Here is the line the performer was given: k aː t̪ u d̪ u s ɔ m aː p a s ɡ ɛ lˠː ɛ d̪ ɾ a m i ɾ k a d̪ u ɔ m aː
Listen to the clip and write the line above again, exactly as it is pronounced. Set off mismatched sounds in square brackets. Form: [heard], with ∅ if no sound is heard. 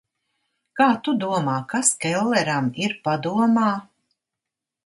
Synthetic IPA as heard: k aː t̪ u d̪ u [∅] ɔ m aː [k] a s [k] ɛ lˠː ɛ [∅] ɾ a m i ɾ [p] a d̪ u ɔ m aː